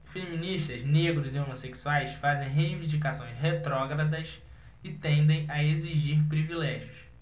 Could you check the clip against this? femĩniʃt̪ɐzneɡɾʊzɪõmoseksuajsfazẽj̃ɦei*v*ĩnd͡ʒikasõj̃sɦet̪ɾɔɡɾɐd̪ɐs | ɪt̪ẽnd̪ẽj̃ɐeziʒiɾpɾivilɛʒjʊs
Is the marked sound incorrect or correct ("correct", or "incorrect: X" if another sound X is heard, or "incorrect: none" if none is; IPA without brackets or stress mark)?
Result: correct